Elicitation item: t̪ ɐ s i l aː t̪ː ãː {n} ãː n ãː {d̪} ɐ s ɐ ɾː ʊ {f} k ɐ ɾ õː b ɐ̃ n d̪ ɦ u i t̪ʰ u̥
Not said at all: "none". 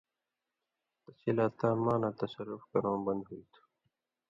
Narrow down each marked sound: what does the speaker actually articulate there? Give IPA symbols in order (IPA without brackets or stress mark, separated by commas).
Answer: m, t̪, f